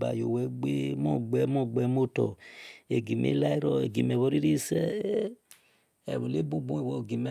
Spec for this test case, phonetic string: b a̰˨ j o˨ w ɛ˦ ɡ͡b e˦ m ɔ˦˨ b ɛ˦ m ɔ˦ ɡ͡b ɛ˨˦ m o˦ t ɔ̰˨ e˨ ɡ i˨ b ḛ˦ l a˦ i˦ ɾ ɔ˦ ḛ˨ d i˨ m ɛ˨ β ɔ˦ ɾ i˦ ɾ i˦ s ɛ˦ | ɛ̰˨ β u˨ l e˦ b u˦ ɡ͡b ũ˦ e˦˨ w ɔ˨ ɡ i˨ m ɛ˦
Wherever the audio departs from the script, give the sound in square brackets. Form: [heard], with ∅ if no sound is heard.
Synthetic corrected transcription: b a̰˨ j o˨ w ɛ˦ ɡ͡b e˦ m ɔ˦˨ [ɡ͡b] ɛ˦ m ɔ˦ ɡ͡b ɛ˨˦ m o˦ t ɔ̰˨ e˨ ɡ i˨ [m] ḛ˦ l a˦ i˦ ɾ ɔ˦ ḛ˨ [ɡ] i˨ m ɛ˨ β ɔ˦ ɾ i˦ ɾ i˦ s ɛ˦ | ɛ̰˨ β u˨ l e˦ b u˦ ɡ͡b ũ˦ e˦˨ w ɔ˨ ɡ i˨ m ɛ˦